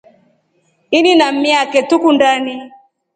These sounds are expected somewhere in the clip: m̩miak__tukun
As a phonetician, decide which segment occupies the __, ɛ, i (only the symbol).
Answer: ɛ